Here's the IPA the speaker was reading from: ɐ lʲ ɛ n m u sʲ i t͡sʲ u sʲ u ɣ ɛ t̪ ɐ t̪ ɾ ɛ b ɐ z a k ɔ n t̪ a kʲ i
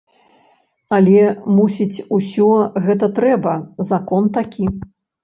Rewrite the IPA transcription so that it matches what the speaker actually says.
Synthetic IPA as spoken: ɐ lʲ ɛ m u sʲ i t͡sʲ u sʲ ɔ ɣ ɛ t̪ ɐ t̪ ɾ ɛ b ɐ z a k ɔ n t̪ a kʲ i